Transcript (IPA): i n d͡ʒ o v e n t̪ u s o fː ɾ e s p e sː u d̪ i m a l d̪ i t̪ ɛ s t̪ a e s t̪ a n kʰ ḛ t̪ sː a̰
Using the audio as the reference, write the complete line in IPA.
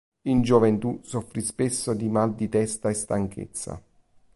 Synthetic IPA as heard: i n d͡ʒ o v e n t̪ u s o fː ɾ i s p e sː o d̪ i m a l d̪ i t̪ ɛ s t̪ a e s t̪ a ŋ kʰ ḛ t̪ sː a̰